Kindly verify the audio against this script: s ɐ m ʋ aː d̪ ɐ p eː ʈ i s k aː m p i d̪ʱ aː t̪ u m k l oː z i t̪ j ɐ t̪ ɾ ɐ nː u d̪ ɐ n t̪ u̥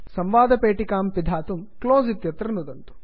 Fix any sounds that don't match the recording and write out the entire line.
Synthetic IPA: s ɐ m ʋ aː d̪ ɐ p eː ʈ i k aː m p i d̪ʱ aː t̪ u m k l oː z i t̪ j ɐ t̪ ɾ ɐ n u d̪ ɐ n t̪ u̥